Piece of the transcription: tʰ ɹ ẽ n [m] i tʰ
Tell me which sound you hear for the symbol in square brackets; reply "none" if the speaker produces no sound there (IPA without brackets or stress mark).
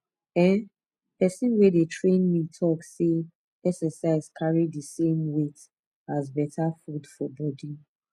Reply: m